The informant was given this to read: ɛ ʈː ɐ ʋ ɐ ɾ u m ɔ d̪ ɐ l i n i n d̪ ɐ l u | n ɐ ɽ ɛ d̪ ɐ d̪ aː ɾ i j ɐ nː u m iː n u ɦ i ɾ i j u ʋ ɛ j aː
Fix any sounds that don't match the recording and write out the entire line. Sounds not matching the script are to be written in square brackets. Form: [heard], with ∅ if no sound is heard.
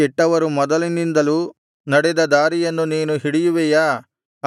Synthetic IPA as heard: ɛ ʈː ɐ ʋ ɐ ɾ u m ɔ d̪ ɐ l i n i n d̪ ɐ l u | n ɐ ɽ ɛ d̪ ɐ d̪ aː ɾ i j ɐ nː u [n] iː n u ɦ i [ɽ] i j u ʋ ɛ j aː